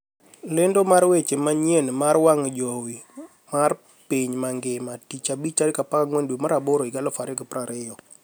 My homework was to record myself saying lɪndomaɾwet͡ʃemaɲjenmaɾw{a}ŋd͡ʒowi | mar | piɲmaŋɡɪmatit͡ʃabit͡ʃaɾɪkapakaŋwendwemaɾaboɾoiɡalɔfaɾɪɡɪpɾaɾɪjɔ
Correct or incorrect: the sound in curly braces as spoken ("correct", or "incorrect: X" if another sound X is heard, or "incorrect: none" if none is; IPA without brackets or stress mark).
correct